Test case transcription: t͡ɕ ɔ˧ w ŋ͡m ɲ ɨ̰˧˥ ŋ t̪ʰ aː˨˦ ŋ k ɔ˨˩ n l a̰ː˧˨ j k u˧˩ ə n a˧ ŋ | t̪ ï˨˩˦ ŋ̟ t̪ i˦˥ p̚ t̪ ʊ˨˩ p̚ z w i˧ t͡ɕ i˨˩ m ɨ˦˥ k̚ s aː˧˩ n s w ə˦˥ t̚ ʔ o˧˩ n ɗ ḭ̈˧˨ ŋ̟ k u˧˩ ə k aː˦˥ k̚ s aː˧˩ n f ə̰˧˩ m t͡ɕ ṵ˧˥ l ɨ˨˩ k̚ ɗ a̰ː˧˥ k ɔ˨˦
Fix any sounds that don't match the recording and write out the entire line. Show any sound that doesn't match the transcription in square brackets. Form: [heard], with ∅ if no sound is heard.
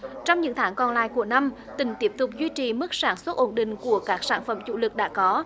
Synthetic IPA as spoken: t͡ɕ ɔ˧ w ŋ͡m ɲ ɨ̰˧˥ ŋ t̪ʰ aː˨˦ ŋ k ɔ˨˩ n l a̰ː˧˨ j k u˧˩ ə n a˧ [m] | t̪ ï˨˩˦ ŋ̟ t̪ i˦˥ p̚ t̪ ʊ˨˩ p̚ z w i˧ t͡ɕ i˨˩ m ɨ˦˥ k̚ s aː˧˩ n s w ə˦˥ t̚ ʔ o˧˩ n ɗ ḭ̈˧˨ ŋ̟ k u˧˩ ə k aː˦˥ k̚ s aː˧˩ n f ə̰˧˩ m t͡ɕ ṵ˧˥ l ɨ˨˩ k̚ ɗ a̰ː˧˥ k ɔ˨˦